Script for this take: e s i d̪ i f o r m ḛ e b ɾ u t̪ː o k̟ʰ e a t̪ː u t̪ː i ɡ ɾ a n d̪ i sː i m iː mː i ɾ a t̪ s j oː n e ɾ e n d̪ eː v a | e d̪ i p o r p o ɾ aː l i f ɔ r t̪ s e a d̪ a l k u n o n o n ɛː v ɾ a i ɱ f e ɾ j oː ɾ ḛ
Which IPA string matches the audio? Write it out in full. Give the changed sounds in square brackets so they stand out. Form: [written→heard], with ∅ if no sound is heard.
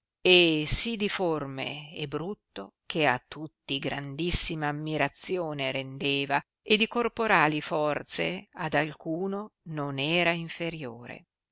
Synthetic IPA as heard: e s i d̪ i f o r m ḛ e b ɾ u t̪ː o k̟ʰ e a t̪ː u t̪ː i ɡ ɾ a n d̪ i sː i m [iː→aː] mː i ɾ a t̪ s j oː n e ɾ e n d̪ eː v a | e d̪ i [p→k] o r p o ɾ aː l i f ɔ r t̪ s e a d̪ a l k [u→uː] n o n o n ɛː [v→∅] ɾ a i ɱ f e ɾ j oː ɾ ḛ

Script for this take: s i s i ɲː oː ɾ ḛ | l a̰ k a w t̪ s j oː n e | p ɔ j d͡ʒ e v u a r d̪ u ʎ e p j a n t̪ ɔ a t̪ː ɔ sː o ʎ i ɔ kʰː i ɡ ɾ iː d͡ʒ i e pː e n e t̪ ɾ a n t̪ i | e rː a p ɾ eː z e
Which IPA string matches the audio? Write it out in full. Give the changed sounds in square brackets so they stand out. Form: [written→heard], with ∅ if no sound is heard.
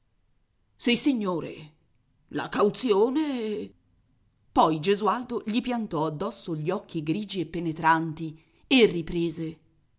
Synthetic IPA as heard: s i s i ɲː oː ɾ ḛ | l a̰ k a w t̪ s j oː n e | p ɔ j d͡ʒ e [v→z] u a [r→l] d̪ [u→o] ʎ [e→i] p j a n t̪ ɔ a [t̪ː→d̪ː] ɔ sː o ʎ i ɔ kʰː i ɡ ɾ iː d͡ʒ i e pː e n e t̪ ɾ a n t̪ i | e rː [a→i] p ɾ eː z e

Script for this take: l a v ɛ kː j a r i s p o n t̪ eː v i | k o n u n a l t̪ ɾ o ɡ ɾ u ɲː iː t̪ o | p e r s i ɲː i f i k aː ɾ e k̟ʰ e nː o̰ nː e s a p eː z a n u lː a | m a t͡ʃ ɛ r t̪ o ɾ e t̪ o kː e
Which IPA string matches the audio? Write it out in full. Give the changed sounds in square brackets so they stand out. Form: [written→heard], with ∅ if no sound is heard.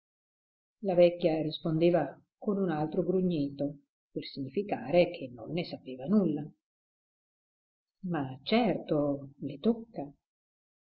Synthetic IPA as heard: l a v ɛ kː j a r i s p o n [t̪→d̪] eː v [i→a] | k o n u n a l t̪ ɾ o ɡ ɾ u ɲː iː t̪ o | p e r s i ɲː i f i k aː ɾ e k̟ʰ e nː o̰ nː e s a p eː [z→v] a n u lː a | m a t͡ʃ ɛ r t̪ o [ɾ→l] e t̪ o kː [e→a]

